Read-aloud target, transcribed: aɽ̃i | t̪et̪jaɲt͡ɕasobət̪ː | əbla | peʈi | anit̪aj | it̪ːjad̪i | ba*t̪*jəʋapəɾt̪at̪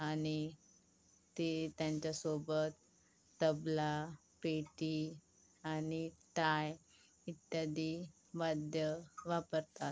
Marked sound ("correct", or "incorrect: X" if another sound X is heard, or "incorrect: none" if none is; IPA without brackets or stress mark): incorrect: d̪